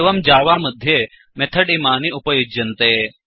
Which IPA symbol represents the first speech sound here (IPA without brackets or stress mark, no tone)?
ʋ